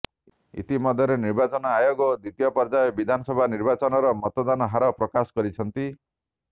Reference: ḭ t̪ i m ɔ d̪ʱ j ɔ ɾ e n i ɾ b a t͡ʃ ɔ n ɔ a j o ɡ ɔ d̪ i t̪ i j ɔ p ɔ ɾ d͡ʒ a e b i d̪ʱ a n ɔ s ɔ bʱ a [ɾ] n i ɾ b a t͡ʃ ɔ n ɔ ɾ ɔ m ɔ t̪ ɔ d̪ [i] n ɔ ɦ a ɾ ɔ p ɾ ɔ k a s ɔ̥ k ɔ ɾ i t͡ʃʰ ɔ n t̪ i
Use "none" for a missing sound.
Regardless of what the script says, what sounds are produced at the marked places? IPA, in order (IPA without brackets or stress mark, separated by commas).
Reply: none, a